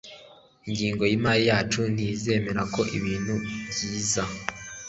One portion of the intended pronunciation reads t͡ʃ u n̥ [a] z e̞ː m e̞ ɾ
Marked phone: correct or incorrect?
incorrect